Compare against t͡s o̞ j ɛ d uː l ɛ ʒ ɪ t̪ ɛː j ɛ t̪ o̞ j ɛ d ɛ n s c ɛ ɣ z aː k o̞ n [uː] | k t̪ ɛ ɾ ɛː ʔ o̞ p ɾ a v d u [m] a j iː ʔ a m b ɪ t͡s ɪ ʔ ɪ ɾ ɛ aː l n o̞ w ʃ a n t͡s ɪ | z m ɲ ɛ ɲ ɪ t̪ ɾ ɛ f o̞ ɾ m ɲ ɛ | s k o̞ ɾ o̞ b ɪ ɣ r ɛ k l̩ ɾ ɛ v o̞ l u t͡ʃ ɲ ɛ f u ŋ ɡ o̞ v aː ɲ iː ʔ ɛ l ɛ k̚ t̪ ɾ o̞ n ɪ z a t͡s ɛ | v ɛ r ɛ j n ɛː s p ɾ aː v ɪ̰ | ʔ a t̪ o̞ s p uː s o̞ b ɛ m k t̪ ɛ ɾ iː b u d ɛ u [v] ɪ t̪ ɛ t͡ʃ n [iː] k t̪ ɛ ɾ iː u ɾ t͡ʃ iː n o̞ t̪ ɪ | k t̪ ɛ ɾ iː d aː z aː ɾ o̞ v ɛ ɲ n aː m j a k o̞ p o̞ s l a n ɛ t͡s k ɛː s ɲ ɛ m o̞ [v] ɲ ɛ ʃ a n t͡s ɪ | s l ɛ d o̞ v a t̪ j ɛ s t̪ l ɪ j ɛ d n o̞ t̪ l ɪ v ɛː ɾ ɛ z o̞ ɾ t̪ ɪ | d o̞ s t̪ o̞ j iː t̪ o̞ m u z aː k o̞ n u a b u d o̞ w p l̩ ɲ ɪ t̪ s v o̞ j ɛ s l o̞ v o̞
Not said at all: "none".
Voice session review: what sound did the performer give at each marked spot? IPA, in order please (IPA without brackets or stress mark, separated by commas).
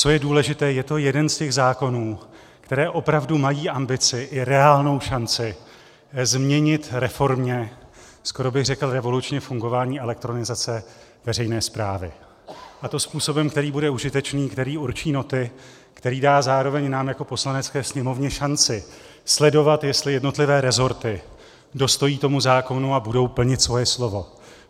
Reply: uː, m, ʒ, iː, v